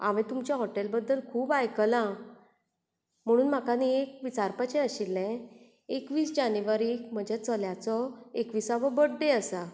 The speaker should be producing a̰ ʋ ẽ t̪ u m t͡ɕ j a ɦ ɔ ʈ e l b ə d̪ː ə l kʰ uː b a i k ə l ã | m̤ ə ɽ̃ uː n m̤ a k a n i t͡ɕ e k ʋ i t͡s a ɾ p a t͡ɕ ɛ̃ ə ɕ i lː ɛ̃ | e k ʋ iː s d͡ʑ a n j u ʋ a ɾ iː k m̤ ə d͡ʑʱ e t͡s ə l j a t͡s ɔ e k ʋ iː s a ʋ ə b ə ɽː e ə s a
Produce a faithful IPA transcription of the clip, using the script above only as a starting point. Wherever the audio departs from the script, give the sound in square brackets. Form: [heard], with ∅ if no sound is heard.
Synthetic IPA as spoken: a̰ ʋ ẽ t̪ u m t͡ɕ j a ɦ ɔ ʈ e l b ə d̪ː ə l kʰ uː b a [j] k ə l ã | m̤ ə ɽ̃ uː n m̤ a k a n i [∅] e k ʋ i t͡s a ɾ p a t͡ɕ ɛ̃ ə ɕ i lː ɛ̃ | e k ʋ iː s d͡ʑ a n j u ʋ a ɾ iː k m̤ ə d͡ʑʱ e t͡s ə l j a t͡s ɔ e k ʋ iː s a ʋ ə b ə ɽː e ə s a